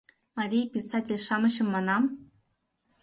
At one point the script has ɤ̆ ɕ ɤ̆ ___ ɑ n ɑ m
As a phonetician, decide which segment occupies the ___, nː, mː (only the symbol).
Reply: mː